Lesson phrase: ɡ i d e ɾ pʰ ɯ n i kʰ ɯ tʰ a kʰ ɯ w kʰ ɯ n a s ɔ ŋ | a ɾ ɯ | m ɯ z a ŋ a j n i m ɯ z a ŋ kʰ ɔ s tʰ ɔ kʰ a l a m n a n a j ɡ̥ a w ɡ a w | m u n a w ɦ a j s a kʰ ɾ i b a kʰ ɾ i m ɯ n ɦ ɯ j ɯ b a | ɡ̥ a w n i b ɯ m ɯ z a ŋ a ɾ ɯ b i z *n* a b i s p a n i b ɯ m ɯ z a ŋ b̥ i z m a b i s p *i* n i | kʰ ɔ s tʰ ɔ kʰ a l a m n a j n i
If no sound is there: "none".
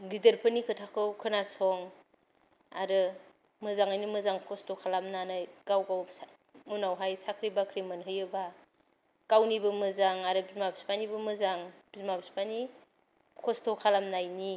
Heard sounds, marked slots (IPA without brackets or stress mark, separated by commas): m, a